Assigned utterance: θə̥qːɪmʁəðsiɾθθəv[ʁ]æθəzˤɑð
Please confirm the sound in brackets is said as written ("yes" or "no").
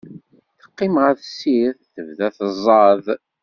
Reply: no